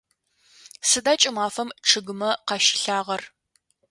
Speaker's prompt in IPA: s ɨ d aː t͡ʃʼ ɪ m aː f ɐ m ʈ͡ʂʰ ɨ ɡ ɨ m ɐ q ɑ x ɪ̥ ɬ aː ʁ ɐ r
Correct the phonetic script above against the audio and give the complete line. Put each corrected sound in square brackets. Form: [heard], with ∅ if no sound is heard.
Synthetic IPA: s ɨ d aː t͡ʃʼ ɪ m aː f ɐ m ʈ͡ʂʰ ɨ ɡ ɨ m ɐ q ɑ [ʃ] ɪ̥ ɬ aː ʁ ɐ r